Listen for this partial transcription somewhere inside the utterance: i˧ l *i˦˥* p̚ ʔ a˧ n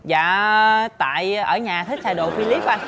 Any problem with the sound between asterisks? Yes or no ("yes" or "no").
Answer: no